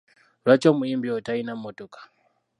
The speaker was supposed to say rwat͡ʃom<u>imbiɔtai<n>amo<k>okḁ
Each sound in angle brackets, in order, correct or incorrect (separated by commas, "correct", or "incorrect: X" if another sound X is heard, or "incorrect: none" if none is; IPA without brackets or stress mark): correct, correct, incorrect: t